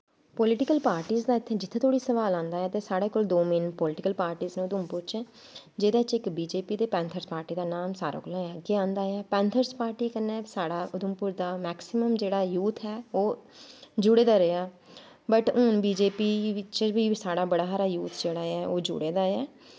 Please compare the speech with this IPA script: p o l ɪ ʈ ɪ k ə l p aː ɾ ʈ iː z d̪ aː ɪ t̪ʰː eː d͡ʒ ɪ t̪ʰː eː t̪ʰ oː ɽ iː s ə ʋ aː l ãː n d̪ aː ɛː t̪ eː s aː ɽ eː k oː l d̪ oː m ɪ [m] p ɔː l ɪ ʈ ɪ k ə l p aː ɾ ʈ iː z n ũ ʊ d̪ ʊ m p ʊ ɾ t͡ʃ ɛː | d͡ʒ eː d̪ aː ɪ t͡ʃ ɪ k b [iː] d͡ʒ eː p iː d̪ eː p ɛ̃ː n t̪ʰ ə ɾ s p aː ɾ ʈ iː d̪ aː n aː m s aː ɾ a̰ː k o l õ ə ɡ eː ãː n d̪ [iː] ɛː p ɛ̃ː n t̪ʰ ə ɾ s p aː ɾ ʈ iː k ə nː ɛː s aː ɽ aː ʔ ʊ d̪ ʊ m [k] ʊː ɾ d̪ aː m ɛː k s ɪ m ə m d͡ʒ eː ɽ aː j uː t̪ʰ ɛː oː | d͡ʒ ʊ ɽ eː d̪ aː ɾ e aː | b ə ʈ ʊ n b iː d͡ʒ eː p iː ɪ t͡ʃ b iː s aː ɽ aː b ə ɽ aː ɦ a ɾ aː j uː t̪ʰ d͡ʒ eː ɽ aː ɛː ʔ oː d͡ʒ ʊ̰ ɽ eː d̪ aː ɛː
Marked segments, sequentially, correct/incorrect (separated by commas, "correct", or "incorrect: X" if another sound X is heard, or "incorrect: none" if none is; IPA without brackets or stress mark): incorrect: n, correct, incorrect: aː, incorrect: p